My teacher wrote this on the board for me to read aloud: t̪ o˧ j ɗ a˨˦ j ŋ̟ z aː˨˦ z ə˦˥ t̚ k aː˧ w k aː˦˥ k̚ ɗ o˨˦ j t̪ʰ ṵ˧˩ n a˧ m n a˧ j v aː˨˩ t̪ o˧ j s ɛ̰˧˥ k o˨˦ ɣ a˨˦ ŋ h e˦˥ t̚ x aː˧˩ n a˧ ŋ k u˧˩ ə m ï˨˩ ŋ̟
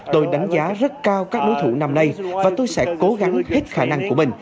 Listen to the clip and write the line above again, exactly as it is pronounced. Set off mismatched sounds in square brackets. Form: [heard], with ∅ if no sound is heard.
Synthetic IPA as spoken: t̪ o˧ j ɗ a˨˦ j ŋ̟ z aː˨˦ z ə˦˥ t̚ k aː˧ w k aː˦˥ k̚ ɗ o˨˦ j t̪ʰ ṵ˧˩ n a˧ m n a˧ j v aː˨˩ t̪ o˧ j s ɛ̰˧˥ k o˨˦ ɣ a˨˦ ŋ h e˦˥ t̚ x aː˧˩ n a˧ ŋ k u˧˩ ə m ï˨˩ ŋ̟

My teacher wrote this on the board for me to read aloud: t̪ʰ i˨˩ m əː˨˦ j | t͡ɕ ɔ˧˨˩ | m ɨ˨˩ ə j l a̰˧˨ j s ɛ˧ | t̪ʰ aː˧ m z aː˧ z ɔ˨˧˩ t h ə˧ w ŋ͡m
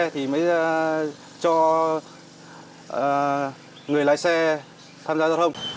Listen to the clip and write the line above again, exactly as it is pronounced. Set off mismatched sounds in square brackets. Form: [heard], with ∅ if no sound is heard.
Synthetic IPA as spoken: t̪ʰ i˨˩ m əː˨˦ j | t͡ɕ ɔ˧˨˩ | [ŋ] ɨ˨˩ ə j l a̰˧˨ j s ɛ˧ | t̪ʰ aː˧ m z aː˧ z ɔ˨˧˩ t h ə˧ w ŋ͡m

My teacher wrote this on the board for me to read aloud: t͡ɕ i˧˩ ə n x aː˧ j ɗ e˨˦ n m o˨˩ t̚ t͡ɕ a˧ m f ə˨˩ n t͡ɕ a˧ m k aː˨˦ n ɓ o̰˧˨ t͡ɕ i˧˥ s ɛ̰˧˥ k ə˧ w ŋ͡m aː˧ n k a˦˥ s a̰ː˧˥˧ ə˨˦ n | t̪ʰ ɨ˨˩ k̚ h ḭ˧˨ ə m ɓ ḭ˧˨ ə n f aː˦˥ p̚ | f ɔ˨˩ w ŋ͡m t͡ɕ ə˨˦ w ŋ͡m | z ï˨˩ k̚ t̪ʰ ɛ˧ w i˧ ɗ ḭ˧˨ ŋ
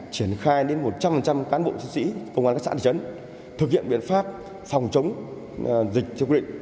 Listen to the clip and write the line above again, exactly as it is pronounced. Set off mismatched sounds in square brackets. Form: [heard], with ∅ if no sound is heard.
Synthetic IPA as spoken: t͡ɕ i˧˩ ə n x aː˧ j ɗ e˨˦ n m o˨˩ t̚ t͡ɕ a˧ m f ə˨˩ n t͡ɕ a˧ m k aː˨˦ n ɓ o̰˧˨ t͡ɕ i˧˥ s [ḭ˧˥] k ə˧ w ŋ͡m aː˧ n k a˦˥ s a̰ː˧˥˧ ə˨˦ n | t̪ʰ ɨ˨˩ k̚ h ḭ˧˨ ə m ɓ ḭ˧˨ ə n f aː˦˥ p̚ | f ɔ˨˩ w ŋ͡m t͡ɕ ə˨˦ w ŋ͡m | z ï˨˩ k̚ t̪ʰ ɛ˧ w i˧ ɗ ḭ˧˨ ŋ

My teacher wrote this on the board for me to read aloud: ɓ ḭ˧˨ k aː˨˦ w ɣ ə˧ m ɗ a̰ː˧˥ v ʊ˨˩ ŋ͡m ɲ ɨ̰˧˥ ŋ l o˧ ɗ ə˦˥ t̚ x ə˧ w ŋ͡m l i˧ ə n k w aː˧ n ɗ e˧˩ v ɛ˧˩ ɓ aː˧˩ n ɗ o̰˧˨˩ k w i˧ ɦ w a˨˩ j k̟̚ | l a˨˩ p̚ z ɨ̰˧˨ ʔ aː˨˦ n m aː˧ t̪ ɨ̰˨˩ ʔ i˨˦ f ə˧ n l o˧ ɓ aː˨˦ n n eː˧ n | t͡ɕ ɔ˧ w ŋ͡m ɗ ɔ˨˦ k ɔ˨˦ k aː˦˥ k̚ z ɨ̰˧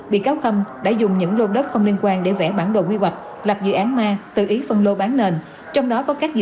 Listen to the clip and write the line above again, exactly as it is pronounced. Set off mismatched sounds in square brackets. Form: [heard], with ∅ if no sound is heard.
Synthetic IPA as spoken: ɓ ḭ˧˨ k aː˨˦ w [x] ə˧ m ɗ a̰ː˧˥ [z] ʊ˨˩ ŋ͡m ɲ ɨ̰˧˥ ŋ l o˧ ɗ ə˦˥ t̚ x ə˧ w ŋ͡m l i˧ ə n k w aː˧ n ɗ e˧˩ v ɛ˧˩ ɓ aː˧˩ n ɗ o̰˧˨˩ k w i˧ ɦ w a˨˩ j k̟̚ | l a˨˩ p̚ z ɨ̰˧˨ ʔ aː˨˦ n m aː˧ t̪ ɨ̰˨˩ ʔ i˨˦ f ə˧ n l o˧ ɓ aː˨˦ n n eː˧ n | t͡ɕ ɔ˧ w ŋ͡m ɗ ɔ˨˦ k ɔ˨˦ k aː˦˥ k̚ z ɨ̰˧

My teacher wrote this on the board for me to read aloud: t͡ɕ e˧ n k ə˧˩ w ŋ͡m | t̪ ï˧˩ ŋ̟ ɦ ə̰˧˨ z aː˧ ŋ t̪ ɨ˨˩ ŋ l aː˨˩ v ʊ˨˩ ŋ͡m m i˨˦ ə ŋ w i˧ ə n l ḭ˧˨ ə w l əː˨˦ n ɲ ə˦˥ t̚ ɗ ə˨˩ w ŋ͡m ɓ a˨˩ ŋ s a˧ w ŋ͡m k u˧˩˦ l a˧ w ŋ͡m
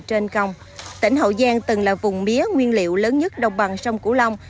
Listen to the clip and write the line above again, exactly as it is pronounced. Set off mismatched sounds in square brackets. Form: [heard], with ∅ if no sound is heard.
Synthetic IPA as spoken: t͡ɕ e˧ n k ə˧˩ w ŋ͡m | t̪ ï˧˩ ŋ̟ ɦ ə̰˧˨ z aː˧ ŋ t̪ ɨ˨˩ ŋ l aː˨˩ v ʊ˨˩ ŋ͡m m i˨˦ ə ŋ w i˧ ə n l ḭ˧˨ ə w l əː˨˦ n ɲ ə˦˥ t̚ ɗ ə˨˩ w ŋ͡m ɓ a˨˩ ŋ s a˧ w ŋ͡m k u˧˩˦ l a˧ w ŋ͡m

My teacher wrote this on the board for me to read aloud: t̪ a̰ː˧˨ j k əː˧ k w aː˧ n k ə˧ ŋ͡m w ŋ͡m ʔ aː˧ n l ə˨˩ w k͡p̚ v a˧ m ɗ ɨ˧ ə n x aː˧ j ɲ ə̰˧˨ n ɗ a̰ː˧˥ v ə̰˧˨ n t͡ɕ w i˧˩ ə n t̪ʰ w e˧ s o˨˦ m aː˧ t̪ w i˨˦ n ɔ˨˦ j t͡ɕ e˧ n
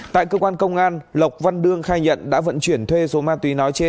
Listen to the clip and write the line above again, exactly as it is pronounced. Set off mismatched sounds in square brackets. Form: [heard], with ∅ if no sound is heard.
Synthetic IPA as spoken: t̪ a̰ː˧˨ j k əː˧ k w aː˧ n k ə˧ [∅] w ŋ͡m ʔ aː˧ n l ə˨˩ w k͡p̚ v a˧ [n] ɗ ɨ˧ ə [ŋ] x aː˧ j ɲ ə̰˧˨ n ɗ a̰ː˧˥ v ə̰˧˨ n t͡ɕ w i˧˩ ə n t̪ʰ w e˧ s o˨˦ m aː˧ t̪ w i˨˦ n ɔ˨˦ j t͡ɕ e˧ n

